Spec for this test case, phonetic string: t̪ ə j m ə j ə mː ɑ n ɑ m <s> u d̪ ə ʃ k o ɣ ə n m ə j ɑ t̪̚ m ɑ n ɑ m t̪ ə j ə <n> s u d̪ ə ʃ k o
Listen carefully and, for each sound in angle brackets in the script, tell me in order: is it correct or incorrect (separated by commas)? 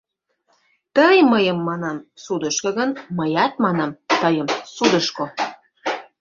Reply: correct, incorrect